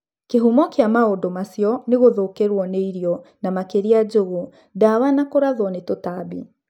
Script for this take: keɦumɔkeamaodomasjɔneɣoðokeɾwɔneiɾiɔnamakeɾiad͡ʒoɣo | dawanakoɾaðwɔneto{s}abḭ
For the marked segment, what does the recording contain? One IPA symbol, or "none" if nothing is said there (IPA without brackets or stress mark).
t